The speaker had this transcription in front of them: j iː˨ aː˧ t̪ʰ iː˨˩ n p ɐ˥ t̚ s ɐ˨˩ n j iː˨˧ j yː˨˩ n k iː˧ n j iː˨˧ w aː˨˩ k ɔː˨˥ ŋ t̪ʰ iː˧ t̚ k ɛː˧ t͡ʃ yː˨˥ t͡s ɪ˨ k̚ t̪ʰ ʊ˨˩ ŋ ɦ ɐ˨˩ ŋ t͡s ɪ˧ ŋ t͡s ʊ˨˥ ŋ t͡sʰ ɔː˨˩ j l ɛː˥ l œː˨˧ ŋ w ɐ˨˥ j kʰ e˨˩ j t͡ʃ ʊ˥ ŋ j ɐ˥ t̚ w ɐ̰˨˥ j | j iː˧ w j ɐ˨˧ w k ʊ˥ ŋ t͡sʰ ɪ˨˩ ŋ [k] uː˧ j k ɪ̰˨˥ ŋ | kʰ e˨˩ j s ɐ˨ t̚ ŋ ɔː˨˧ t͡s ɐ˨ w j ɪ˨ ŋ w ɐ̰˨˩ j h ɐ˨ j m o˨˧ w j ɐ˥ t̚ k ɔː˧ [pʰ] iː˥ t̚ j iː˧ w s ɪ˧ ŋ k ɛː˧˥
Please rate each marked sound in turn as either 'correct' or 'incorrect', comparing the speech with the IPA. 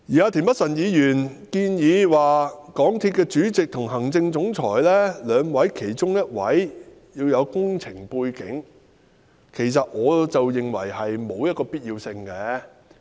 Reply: incorrect, incorrect

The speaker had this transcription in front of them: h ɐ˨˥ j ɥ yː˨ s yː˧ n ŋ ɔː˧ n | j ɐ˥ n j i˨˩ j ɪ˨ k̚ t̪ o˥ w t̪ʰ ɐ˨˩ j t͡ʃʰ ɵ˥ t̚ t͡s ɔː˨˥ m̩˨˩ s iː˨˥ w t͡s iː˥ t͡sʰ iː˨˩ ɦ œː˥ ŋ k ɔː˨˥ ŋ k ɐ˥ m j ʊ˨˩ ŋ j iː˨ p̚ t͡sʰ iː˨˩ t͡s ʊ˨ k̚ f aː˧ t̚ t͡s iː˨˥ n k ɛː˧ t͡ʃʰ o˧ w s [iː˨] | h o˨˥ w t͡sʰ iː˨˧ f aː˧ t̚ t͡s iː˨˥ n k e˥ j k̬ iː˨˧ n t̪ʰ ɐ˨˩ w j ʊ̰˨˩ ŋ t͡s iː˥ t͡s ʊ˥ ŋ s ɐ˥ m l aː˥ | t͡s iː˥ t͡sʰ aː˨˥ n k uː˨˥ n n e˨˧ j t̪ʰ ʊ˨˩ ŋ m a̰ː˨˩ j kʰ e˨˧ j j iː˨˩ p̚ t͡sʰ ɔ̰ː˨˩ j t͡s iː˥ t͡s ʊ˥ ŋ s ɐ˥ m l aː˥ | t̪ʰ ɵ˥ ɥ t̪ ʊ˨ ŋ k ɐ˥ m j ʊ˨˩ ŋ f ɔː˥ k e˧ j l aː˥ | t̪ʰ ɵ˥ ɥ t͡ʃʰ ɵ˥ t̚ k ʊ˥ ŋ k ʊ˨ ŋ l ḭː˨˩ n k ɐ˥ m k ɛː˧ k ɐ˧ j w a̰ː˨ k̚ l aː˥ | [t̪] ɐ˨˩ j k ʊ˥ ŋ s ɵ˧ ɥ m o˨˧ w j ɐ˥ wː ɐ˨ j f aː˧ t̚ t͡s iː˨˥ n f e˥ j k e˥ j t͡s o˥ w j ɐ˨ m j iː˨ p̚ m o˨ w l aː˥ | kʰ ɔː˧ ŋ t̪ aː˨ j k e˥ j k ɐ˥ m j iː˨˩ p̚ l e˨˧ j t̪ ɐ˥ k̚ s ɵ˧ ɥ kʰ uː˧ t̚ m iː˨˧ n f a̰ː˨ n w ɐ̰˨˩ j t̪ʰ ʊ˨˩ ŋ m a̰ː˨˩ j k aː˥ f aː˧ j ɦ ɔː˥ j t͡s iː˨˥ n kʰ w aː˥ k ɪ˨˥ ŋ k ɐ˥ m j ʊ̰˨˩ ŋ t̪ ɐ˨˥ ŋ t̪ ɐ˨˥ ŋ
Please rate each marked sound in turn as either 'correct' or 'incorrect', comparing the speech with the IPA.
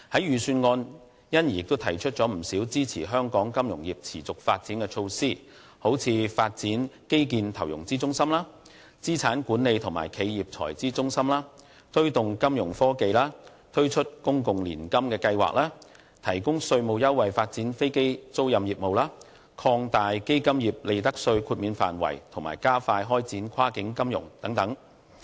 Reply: incorrect, incorrect

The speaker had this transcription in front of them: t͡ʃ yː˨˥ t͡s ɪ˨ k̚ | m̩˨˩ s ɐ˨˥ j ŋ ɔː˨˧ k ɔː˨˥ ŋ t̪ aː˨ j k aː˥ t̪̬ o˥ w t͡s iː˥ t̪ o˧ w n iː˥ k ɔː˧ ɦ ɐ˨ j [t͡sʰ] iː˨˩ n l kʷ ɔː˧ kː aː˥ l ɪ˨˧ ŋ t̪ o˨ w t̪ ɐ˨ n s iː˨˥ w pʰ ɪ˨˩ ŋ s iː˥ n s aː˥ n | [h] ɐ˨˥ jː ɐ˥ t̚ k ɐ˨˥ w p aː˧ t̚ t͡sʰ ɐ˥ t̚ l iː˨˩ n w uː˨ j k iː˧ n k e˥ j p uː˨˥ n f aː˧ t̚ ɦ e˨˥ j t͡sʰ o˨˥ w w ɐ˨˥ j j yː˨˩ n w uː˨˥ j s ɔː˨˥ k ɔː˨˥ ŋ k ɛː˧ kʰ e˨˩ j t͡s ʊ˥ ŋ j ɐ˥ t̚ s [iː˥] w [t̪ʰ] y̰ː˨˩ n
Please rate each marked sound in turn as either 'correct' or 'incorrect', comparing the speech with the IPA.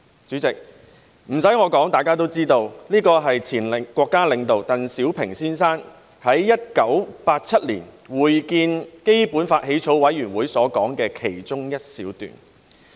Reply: correct, correct, incorrect, incorrect

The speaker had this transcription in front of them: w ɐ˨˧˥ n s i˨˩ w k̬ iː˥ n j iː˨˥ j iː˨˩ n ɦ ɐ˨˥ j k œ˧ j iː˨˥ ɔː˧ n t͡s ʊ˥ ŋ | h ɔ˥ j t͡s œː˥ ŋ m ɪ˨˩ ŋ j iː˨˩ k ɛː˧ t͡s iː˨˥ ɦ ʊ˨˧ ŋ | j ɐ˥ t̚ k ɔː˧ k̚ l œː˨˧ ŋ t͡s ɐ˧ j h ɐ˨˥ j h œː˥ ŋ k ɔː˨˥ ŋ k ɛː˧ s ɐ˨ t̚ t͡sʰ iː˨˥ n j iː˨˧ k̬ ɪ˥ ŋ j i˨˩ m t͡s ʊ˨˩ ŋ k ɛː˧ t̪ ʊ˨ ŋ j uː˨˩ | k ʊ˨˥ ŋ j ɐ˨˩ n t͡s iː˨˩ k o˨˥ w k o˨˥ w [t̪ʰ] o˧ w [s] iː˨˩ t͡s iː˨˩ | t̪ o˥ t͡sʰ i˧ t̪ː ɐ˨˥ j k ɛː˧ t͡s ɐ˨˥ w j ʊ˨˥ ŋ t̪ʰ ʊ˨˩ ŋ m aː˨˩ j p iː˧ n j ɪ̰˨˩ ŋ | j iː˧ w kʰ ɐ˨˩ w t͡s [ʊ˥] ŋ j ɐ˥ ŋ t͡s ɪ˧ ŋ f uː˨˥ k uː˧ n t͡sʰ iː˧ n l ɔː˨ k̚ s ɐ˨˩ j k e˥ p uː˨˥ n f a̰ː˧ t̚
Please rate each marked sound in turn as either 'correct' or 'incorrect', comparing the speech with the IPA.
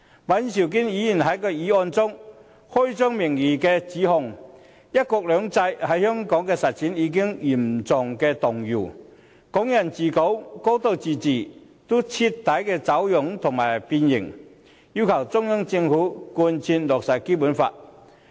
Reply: incorrect, incorrect, correct

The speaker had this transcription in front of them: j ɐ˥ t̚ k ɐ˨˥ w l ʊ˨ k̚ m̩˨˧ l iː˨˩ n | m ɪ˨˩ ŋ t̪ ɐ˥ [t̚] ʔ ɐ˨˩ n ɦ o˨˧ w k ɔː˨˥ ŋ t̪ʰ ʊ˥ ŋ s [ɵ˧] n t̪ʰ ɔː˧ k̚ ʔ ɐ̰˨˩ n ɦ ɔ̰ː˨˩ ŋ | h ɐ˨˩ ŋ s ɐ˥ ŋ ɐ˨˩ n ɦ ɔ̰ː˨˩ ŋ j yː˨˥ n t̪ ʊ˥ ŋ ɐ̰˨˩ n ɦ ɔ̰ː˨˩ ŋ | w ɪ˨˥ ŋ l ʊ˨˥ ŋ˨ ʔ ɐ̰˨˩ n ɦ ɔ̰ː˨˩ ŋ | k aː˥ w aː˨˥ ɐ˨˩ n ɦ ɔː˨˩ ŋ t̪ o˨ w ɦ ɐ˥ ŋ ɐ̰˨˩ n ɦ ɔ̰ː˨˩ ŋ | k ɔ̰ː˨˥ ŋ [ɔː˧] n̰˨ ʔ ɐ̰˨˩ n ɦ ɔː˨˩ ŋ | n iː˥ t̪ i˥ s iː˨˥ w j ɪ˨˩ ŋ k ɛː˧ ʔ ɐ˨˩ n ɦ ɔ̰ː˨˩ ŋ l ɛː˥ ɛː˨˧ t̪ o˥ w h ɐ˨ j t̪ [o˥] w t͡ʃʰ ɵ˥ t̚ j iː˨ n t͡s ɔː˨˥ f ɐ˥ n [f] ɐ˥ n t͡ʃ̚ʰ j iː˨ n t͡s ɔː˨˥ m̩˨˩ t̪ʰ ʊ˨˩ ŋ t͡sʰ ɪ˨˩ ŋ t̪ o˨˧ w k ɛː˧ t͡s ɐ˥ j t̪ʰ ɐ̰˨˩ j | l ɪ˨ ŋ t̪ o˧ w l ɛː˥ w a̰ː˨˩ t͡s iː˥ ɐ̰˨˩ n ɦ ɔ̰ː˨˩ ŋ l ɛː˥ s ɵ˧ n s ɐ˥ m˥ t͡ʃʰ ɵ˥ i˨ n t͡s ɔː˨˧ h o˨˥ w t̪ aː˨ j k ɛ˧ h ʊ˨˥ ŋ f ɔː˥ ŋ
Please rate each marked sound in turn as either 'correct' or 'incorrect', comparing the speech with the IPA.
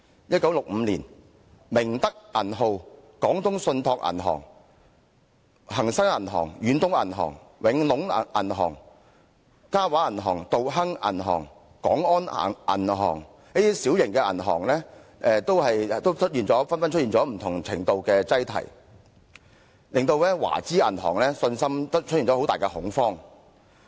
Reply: incorrect, correct, incorrect, correct, correct

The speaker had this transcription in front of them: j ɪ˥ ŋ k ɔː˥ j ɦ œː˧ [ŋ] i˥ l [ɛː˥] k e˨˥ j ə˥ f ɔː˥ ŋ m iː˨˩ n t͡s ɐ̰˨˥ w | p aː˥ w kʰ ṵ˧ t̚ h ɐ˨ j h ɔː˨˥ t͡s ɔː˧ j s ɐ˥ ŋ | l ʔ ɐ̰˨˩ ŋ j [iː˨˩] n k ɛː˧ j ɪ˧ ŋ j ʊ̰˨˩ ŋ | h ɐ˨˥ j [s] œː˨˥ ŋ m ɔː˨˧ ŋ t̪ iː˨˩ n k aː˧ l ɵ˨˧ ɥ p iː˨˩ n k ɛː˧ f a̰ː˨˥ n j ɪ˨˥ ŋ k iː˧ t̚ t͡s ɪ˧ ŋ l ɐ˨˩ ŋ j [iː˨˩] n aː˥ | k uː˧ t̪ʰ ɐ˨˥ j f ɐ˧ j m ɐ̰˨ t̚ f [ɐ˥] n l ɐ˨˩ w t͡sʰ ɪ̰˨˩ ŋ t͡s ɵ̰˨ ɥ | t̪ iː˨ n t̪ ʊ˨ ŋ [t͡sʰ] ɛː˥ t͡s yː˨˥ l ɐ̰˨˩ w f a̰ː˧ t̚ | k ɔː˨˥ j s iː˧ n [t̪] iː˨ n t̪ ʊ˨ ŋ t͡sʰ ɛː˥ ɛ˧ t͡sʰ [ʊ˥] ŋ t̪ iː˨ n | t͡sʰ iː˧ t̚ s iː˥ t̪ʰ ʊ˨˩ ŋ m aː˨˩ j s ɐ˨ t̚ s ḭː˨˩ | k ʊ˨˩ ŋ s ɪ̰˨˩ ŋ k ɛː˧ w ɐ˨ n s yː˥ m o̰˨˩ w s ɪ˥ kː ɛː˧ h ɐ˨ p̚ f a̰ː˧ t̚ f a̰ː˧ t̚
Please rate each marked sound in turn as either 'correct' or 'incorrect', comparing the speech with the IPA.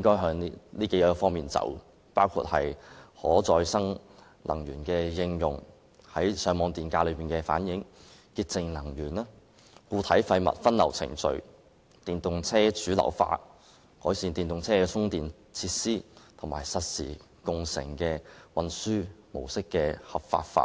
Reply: correct, incorrect, incorrect, correct, incorrect, correct, correct, correct, correct

